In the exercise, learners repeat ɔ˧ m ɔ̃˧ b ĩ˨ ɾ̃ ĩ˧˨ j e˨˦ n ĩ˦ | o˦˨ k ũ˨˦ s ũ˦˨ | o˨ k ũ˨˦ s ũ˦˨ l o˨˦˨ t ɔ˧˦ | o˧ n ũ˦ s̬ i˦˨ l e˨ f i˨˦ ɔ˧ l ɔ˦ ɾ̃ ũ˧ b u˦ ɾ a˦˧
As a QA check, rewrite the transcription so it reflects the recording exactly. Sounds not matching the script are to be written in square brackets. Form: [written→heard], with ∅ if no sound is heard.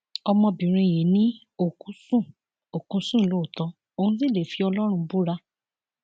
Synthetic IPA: ɔ˧ m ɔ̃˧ b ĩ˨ ɾ̃ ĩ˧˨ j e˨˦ n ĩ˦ | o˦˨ k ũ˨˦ s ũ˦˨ | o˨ k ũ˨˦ s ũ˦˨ l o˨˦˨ t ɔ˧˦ | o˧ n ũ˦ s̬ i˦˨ l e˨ f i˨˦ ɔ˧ l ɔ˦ ɾ̃ ũ˧ b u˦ ɾ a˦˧